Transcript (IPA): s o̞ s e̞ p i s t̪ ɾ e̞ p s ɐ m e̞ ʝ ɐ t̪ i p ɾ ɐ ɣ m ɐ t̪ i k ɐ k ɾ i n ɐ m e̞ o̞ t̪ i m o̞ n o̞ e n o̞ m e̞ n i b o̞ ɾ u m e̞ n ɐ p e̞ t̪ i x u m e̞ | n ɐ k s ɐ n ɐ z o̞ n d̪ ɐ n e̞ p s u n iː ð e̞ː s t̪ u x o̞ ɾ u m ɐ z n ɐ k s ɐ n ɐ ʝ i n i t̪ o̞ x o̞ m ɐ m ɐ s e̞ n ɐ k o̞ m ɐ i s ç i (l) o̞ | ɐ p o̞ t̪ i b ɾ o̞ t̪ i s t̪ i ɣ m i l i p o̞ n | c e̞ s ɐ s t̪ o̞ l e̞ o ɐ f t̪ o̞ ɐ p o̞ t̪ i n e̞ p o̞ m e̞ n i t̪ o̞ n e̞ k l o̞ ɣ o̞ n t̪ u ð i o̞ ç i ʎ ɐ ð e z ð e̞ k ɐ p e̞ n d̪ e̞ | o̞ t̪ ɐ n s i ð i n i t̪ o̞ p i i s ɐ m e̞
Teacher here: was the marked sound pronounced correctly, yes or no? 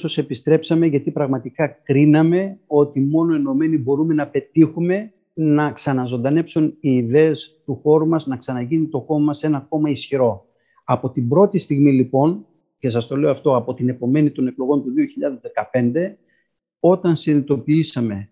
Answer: no